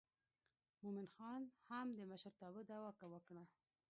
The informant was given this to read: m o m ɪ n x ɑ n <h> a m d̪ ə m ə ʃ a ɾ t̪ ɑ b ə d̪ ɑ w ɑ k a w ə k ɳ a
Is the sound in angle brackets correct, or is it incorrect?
correct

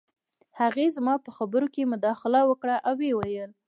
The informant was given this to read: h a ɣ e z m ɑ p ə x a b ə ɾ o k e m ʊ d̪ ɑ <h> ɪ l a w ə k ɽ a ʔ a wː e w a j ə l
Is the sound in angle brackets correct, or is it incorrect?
incorrect: x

